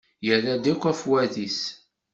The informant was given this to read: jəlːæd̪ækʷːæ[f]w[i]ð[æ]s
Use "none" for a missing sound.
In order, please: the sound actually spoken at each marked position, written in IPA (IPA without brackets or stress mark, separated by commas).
f, æ, i